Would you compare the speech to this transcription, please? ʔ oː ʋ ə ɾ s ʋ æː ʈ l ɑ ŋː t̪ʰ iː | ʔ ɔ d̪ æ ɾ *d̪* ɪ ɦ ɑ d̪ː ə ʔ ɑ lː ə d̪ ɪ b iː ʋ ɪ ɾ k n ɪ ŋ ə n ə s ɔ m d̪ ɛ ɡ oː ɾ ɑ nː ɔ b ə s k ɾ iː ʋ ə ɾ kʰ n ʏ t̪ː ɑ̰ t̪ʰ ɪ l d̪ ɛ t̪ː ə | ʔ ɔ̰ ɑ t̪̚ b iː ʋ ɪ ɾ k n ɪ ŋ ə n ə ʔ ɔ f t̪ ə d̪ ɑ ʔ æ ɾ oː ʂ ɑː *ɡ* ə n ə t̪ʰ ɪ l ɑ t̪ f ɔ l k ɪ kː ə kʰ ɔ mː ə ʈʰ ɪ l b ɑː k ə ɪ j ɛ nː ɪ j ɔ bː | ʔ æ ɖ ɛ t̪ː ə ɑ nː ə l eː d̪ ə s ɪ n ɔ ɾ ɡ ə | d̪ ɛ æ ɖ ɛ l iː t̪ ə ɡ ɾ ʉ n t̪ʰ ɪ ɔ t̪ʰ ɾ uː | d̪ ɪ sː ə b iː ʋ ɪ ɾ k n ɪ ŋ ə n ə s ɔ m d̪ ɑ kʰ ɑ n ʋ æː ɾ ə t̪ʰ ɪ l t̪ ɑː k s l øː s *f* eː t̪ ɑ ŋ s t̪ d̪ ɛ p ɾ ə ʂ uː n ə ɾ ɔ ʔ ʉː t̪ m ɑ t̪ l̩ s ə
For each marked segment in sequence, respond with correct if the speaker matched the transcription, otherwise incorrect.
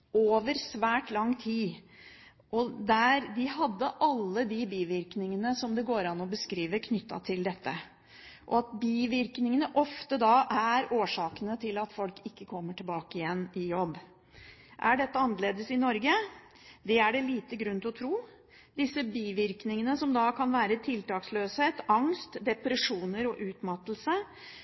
correct, incorrect, incorrect

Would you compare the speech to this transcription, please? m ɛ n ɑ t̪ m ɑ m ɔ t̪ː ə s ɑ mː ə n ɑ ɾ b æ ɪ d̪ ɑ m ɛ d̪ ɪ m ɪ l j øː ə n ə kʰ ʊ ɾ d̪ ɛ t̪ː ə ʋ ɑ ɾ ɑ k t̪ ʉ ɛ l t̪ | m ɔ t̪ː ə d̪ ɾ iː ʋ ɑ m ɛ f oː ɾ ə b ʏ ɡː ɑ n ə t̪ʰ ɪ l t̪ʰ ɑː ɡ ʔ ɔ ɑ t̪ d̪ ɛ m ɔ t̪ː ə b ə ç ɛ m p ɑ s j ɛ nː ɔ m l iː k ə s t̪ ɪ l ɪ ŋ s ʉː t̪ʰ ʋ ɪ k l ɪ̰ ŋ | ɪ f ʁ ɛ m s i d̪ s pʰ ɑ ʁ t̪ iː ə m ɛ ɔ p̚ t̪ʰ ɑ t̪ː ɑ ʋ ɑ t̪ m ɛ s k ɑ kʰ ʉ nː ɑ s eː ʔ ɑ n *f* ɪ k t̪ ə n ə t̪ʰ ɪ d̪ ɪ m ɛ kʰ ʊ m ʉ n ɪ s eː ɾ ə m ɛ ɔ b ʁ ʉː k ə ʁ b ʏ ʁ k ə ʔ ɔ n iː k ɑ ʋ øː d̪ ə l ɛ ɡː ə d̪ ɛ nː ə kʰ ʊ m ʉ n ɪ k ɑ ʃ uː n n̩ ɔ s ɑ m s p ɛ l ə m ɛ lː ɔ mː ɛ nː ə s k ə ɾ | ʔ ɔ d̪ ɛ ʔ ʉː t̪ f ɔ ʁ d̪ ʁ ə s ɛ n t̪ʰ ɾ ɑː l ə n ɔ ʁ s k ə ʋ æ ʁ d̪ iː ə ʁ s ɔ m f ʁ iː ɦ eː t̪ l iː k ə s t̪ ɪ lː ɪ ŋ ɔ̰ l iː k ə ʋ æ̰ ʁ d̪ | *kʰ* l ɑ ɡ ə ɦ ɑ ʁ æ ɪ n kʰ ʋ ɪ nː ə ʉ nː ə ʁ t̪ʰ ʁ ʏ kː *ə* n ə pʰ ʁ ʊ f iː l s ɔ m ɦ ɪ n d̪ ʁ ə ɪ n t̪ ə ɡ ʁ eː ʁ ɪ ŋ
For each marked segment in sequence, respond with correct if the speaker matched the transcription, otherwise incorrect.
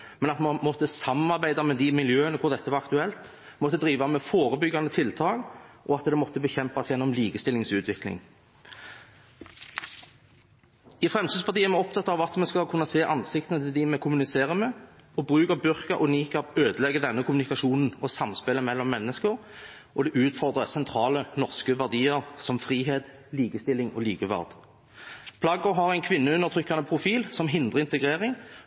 incorrect, incorrect, incorrect

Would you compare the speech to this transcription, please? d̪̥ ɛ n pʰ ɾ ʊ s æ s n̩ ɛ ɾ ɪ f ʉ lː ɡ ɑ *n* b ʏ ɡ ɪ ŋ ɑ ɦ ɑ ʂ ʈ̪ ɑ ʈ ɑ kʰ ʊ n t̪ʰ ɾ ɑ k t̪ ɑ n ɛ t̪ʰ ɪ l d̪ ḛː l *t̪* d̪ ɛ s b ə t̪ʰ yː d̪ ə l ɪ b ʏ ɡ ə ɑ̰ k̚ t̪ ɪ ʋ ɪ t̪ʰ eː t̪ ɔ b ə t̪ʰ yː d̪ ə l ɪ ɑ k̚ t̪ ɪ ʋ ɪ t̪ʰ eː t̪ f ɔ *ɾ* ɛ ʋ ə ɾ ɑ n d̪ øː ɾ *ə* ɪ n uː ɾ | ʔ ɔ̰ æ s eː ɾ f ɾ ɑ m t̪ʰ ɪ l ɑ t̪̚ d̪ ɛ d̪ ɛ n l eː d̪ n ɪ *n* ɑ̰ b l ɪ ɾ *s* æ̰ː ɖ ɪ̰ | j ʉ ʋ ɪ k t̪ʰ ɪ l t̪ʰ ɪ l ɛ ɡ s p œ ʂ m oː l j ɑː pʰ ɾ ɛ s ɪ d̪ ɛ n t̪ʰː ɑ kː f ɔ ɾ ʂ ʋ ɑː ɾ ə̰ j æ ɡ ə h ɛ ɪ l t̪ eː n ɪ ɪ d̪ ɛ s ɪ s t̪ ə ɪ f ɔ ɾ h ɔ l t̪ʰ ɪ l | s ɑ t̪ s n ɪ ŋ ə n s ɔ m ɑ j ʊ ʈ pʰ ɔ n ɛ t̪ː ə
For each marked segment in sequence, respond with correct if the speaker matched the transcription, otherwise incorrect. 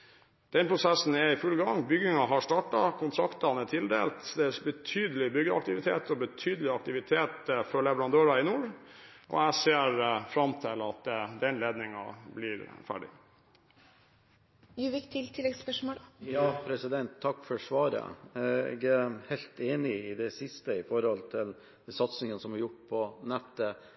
incorrect, correct, incorrect, incorrect, incorrect, incorrect

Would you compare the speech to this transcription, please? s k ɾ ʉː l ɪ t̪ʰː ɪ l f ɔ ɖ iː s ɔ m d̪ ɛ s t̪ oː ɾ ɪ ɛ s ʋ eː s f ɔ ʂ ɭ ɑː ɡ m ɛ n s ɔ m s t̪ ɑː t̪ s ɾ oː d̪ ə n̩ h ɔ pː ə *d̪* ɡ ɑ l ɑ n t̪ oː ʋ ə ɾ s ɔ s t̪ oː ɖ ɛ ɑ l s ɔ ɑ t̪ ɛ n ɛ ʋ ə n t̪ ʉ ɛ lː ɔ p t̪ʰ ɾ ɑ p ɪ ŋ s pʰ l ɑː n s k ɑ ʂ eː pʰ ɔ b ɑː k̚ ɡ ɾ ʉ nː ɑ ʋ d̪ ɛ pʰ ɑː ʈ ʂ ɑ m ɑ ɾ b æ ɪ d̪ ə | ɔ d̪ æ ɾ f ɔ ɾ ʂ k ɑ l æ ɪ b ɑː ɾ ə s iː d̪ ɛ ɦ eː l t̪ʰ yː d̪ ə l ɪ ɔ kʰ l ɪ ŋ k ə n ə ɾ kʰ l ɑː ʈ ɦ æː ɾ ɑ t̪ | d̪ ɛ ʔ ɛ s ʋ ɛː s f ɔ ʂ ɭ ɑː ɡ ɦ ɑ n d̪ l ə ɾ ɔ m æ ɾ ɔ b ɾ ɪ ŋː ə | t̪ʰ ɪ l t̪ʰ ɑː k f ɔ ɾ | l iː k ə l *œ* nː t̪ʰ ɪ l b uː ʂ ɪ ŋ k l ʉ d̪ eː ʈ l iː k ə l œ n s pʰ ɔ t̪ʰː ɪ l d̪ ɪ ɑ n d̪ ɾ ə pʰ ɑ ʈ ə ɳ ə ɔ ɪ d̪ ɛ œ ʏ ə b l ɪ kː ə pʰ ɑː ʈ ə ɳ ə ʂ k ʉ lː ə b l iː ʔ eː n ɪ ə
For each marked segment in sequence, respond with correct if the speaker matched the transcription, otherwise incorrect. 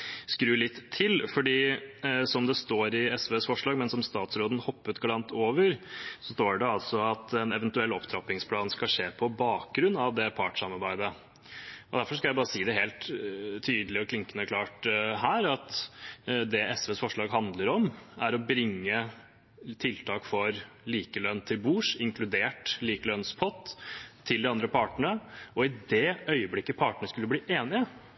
incorrect, correct

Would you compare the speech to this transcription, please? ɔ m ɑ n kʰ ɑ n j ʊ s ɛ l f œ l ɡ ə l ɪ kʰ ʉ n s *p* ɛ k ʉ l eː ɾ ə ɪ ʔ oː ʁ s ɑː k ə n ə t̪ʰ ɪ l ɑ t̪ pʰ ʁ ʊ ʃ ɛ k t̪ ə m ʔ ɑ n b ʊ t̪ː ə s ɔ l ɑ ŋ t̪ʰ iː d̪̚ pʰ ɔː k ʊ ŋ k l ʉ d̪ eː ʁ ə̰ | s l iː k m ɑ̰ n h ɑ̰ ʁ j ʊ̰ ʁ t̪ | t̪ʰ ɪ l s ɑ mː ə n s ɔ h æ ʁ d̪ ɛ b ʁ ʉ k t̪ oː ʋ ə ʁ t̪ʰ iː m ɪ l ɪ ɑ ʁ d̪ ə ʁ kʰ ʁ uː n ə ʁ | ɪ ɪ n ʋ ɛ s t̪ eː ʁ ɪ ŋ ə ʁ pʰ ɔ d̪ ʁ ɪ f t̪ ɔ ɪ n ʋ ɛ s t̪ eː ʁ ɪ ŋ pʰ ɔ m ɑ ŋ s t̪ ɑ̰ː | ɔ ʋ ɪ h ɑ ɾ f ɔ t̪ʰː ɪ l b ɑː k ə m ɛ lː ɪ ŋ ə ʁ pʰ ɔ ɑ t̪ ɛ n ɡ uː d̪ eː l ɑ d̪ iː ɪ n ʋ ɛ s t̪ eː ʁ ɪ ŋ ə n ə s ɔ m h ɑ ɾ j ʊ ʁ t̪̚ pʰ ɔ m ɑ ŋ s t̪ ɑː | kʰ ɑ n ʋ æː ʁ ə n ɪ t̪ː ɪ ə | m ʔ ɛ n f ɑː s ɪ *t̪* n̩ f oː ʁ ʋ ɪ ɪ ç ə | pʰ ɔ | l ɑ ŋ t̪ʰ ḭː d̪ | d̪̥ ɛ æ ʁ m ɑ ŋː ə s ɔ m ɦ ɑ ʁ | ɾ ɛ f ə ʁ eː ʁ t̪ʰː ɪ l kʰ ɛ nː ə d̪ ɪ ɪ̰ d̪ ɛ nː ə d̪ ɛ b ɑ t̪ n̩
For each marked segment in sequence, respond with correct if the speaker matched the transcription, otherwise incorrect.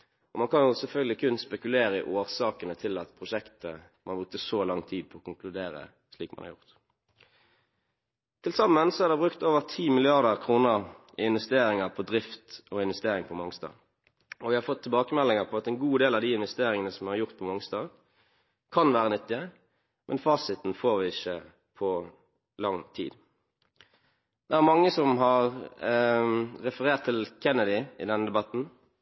correct, correct

